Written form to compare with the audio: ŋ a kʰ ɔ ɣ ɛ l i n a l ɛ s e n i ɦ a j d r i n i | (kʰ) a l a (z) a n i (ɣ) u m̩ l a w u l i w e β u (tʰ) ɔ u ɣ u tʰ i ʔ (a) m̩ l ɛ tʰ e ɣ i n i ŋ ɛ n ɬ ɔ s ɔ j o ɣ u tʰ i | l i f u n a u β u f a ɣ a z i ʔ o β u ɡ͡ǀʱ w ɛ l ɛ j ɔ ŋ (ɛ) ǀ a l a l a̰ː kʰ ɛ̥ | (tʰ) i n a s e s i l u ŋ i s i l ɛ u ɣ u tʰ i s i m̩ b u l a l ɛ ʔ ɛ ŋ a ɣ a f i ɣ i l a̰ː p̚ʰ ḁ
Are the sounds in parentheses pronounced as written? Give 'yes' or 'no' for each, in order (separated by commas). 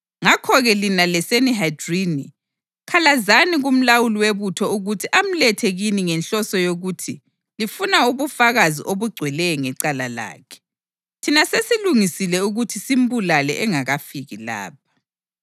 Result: yes, yes, yes, yes, yes, yes, yes